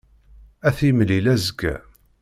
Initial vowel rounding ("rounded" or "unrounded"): unrounded